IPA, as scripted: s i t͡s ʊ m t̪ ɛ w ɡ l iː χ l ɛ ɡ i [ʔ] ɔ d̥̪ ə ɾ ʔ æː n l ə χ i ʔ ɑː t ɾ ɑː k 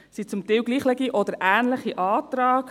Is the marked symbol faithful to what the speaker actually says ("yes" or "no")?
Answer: yes